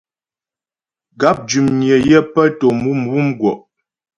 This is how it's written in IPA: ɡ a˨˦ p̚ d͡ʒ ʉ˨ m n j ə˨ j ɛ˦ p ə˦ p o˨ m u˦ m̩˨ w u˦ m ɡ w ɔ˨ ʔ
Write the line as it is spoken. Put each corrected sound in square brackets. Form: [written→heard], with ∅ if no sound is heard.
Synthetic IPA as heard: ɡ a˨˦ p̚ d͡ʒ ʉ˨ m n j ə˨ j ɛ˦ p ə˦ [p→t] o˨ m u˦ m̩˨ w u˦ m ɡ w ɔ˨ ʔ